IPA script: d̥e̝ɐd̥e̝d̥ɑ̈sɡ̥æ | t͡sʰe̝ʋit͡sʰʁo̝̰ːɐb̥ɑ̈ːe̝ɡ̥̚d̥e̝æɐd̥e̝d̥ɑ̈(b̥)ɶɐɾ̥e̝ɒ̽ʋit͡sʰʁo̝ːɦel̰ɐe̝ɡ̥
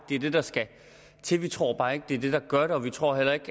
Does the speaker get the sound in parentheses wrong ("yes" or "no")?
yes